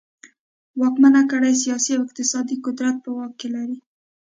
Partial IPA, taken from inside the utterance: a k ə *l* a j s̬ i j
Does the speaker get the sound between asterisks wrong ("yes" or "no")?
yes